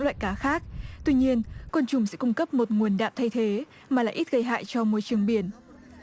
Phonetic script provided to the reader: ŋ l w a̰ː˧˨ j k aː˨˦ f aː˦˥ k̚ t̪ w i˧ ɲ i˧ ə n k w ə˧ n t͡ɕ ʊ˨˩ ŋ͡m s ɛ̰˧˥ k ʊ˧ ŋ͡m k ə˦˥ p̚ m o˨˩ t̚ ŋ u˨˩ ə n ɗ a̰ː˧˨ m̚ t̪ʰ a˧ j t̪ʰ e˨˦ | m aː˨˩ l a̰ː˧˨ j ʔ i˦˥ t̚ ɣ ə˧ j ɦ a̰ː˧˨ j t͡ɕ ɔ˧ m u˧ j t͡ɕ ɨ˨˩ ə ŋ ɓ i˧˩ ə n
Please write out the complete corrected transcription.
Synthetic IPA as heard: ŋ l w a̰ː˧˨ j k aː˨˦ x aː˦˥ k̚ t̪ w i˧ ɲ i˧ ə n k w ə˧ n t͡ɕ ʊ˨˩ ŋ͡m s ɛ̰˧˥ k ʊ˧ ŋ͡m k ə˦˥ p̚ m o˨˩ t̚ ŋ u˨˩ ə n ɗ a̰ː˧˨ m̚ t̪ʰ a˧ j t̪ʰ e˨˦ | m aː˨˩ l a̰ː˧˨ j ʔ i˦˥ t̚ ɣ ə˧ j ɦ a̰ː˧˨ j t͡ɕ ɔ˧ m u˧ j t͡ɕ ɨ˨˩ ə ŋ ɓ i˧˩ ə n

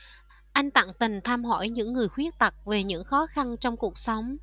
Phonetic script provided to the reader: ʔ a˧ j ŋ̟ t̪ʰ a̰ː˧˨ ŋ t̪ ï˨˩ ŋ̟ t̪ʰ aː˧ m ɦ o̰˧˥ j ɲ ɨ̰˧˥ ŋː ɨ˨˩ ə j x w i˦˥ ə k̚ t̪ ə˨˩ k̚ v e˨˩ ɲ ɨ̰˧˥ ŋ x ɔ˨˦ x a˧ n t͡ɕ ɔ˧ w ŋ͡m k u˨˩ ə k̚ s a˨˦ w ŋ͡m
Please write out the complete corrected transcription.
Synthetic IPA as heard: ʔ a˧ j ŋ̟ t̪ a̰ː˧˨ ŋ t̪ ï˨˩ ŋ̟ t̪ʰ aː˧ m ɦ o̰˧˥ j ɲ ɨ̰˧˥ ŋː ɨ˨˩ ə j x w i˦˥ ə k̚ t̪ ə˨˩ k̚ v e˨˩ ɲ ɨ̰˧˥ ŋ x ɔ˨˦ x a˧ n t͡ɕ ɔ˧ w ŋ͡m k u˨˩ ə k̚ s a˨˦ w ŋ͡m

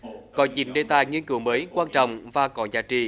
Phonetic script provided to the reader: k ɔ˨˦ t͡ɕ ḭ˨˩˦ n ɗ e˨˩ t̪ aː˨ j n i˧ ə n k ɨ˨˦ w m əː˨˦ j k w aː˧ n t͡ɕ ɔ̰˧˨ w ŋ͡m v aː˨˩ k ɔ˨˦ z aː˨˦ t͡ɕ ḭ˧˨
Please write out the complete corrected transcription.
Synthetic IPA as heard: k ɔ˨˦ t͡ɕ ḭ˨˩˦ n ɗ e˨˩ t̪ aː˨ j ŋ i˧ ə n k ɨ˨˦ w m əː˨˦ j k w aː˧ n t͡ɕ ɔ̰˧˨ w ŋ͡m v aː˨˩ k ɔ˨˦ z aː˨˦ t͡ɕ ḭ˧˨

